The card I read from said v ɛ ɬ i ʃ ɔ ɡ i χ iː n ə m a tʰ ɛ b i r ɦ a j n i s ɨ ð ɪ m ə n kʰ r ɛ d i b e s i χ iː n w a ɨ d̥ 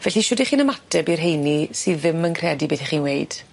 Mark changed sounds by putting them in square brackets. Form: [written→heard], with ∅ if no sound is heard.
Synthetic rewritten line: v ɛ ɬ i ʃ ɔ [ɡ→d] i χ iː n ə m a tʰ ɛ b i r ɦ [a→e] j n i s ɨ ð ɪ m ə n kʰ r ɛ d i b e [s→θ] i χ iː n w [a→e] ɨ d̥